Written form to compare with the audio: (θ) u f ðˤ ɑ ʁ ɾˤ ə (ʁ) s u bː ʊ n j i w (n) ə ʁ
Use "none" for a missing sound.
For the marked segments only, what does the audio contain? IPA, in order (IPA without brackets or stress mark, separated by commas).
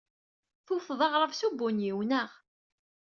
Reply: θ, v, n